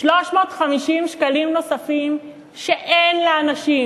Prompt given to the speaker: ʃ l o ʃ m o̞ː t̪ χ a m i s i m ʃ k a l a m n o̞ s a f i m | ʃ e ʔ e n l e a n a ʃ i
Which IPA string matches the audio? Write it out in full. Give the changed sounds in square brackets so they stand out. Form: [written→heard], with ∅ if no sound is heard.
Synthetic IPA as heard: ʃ l o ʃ m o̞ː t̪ χ a m i [s→ʃ] i m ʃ k a l [a→i] m n o̞ s a f i m | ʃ e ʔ e n l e a n a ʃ i